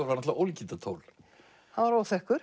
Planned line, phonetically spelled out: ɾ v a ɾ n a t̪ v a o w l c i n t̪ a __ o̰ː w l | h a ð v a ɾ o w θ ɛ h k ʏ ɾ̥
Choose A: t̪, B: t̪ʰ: B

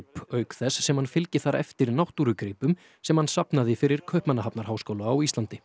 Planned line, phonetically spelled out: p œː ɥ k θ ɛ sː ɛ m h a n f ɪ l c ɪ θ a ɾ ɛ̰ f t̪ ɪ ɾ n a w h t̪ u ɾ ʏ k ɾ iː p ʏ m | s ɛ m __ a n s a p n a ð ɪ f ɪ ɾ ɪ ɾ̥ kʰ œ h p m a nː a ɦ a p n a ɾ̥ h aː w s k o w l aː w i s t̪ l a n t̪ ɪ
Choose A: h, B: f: A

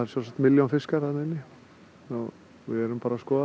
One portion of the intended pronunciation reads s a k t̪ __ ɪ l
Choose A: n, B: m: B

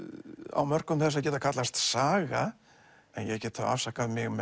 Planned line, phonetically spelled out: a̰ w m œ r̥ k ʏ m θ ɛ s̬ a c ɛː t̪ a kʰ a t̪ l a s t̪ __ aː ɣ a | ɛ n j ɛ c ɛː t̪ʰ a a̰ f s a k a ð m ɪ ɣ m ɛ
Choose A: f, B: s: B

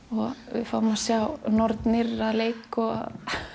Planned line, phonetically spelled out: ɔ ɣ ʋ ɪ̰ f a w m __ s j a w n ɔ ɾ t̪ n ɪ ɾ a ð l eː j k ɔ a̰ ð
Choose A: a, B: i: A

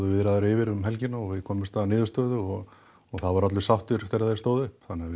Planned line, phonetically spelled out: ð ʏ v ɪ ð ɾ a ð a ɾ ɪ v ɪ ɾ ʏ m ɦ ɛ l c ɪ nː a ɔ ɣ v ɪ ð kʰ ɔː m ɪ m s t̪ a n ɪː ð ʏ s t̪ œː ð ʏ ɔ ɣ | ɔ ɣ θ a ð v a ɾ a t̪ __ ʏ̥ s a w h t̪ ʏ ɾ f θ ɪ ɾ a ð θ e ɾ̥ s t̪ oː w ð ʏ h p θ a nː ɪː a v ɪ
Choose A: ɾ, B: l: B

